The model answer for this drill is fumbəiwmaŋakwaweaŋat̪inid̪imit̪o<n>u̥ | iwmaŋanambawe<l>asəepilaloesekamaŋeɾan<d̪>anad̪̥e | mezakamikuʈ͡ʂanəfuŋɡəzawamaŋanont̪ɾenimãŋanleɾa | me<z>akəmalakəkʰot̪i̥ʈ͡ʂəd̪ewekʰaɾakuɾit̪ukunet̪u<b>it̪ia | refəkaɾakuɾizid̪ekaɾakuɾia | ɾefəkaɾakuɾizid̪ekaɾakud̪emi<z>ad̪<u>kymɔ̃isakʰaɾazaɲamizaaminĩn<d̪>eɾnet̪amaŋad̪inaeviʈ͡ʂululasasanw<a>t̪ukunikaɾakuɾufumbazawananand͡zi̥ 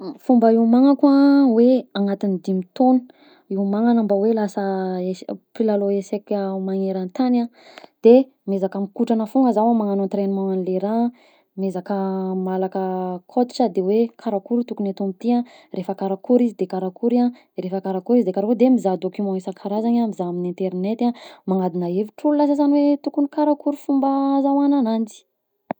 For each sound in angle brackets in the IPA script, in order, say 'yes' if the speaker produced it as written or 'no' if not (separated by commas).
yes, yes, no, yes, no, yes, no, no, no